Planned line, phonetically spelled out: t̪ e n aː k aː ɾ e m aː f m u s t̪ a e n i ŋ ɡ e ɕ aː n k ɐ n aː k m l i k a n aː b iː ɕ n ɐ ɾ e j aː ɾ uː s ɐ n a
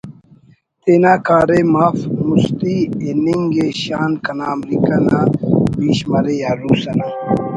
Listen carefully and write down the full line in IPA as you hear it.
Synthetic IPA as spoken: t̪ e n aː k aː ɾ e m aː f m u s t̪ i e n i ŋ ɡ e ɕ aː n k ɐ n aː m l i k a n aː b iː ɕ m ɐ ɾ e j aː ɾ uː s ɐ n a